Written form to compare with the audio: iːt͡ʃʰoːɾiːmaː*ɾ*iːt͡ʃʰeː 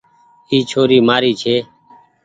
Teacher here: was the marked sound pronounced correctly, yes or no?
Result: yes